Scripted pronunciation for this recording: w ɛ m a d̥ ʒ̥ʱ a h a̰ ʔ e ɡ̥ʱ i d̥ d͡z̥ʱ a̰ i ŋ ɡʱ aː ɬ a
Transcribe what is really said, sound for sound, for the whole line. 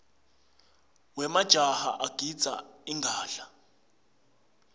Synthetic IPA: w ɛ m a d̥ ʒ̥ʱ a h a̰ ʔ a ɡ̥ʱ i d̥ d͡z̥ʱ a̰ i ŋ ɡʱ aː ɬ a